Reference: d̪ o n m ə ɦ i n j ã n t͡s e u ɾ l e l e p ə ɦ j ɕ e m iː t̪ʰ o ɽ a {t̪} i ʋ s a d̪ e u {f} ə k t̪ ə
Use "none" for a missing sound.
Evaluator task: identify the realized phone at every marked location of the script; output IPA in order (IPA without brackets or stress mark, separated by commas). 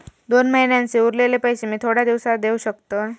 d̪, ɕ